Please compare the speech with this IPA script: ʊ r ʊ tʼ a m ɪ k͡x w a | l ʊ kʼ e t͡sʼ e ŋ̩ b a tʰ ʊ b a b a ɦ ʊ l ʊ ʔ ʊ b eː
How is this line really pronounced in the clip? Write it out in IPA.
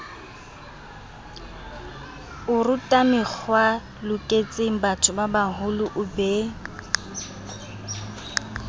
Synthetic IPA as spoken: ʊ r ʊ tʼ a m ɪ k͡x w a | l ʊ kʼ e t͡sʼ e ŋ̩ b a tʰ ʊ b a b a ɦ ʊ l ʊ ʔ ʊ b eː